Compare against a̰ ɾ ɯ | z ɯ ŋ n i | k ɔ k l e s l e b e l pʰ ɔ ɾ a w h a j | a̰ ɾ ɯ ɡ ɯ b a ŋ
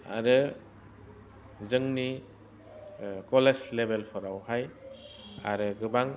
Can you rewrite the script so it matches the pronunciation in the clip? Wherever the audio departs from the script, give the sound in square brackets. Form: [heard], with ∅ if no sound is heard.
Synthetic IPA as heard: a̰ ɾ ɯ | z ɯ ŋ n i | k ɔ [∅] l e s l e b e l pʰ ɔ ɾ a w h a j | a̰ ɾ ɯ ɡ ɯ b a ŋ